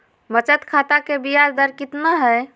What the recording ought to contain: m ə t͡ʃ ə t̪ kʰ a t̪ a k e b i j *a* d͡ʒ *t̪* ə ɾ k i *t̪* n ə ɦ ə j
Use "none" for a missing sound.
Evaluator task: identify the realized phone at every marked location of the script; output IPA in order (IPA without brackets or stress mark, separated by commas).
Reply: a, d̪, t̪